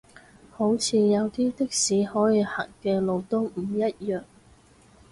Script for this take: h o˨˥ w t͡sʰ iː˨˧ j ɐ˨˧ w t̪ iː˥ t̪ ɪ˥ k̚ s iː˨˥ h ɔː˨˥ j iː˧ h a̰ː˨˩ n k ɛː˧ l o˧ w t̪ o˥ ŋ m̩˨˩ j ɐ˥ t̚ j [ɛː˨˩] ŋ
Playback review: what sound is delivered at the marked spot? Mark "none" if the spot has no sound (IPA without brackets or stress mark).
œː˨˩